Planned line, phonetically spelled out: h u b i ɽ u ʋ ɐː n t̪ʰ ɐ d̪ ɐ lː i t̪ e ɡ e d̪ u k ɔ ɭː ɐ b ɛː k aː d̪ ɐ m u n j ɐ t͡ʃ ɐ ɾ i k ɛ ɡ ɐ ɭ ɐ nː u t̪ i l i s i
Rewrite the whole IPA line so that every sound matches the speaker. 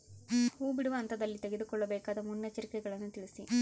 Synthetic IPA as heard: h uː b i ɽ u ʋ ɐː n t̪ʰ ɐ d̪ ɐ lː i t̪ e ɡ e d̪ u k ɔ ɭː ɐ b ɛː k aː d̪ ɐ m u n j ɐ t͡ʃ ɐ ɾ i k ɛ ɡ ɐ ɭ ɐ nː u t̪ i ɭ i s i